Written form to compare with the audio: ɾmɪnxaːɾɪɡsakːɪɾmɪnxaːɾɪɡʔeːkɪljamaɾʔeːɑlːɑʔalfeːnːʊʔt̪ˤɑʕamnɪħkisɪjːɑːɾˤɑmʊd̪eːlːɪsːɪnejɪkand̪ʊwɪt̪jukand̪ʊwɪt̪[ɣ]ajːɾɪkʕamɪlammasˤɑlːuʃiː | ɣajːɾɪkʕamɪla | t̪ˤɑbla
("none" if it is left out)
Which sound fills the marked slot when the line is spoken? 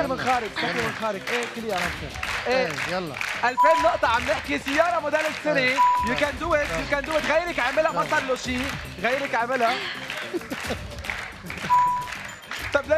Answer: ɣ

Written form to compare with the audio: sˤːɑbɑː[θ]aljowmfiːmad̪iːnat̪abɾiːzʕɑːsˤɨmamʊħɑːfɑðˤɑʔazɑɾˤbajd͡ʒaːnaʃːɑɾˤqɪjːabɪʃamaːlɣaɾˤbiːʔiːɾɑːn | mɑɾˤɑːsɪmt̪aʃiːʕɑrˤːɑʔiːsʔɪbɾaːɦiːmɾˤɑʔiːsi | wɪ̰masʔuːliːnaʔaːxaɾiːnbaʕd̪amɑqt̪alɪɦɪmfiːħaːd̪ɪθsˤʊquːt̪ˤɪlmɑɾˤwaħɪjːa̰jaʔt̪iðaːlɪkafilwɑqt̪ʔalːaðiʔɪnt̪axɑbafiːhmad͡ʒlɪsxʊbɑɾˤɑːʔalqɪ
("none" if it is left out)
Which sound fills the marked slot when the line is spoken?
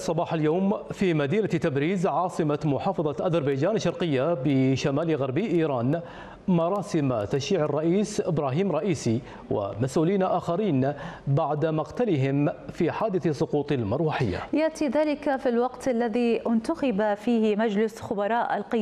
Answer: ħ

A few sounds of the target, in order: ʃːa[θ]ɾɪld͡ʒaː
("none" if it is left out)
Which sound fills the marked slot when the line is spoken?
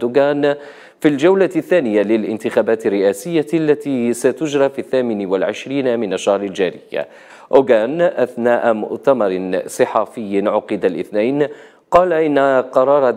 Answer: h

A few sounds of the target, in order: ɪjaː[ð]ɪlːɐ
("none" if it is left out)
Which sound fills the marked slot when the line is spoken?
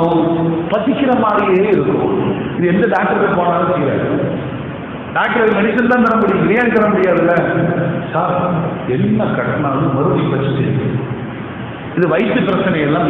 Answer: ð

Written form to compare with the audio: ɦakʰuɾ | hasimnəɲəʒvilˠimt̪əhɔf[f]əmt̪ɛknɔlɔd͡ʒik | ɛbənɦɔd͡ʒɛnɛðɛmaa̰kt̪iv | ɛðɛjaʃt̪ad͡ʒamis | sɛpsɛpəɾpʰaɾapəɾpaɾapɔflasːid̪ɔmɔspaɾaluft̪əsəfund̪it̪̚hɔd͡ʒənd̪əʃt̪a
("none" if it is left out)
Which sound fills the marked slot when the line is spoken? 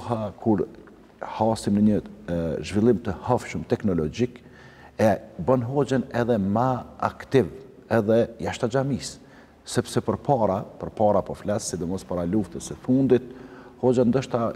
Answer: ʃ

